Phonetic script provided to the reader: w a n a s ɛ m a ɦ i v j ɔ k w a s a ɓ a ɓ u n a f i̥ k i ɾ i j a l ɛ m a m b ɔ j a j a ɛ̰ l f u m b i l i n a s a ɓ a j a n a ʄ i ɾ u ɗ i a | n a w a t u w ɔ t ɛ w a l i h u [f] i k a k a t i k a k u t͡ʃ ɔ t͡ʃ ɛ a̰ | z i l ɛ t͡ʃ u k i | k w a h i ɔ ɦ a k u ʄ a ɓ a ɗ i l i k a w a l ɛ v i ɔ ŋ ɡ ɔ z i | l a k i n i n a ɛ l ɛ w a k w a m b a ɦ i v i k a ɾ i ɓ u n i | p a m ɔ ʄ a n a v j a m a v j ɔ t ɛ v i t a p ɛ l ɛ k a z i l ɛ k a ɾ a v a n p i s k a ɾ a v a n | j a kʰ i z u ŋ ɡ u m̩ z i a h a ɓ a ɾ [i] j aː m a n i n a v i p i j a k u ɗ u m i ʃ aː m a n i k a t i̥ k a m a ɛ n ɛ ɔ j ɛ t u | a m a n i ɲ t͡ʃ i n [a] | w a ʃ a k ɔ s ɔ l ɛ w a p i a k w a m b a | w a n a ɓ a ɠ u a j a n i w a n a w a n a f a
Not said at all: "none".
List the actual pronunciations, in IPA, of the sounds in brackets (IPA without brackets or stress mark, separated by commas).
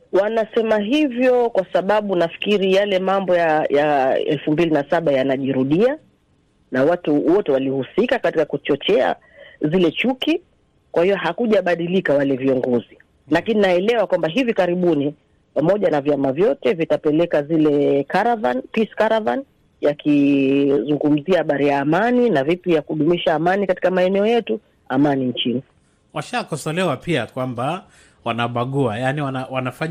s, i, i